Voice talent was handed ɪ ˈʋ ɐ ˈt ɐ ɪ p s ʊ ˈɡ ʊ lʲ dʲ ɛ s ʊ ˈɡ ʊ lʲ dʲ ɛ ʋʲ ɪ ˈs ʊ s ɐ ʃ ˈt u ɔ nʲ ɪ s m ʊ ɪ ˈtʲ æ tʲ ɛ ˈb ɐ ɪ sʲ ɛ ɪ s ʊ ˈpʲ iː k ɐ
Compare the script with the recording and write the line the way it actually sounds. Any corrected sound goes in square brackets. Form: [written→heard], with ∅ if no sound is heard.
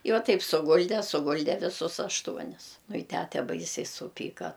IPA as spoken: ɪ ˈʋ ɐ ˈt ɐ ɪ p s ʊ ˈɡ ʊ lʲ dʲ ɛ s ʊ ˈɡ ʊ lʲ dʲ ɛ ʋʲ ɪ ˈs ʊ s ɐ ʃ ˈt u ɔ nʲ ɪ s [m→n] ʊ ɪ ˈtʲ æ tʲ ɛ ˈb ɐ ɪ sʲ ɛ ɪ s ʊ ˈpʲ iː k ɐ